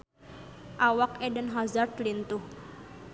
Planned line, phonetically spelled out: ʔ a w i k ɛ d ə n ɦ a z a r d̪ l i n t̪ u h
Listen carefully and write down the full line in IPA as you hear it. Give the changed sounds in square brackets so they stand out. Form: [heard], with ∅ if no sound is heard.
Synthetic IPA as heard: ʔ a w [a] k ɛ d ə n ɦ a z a r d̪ l i n t̪ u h